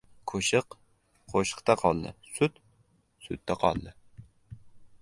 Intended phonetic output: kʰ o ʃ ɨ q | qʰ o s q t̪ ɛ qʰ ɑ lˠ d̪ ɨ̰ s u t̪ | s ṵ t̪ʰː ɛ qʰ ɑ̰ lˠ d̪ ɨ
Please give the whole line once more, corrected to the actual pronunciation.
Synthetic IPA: kʰ o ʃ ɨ q | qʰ o ʃ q t̪ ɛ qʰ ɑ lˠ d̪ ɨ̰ s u t̪ | s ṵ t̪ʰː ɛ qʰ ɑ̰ lˠ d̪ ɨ